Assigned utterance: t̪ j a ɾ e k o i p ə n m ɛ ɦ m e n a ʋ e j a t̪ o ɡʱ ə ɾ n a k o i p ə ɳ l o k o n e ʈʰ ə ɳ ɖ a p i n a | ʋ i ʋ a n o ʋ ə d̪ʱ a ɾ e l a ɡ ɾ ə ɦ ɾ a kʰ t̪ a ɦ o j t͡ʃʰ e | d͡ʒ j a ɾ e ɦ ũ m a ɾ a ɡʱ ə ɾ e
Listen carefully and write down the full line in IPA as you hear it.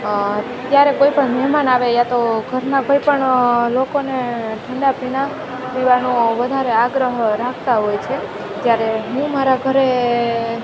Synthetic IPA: t̪ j a ɾ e k o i p ə ɳ m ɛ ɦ m a n a ʋ e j a t̪ o ɡʱ ə ɾ n a k o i p ə ɳ l o k o n e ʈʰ ə ɳ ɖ a p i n a | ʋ i ʋ a n o ʋ ə d̪ʱ a ɾ e a ɡ ɾ ə ɦ ɾ a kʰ t̪ a ɦ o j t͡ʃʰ e | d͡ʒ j a ɾ e ɦ ũ m a ɾ a ɡʱ ə ɾ e